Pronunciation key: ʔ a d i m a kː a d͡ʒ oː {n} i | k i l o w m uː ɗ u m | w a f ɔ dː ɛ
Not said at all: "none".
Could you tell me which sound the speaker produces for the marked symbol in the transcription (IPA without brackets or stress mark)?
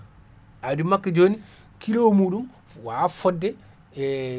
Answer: n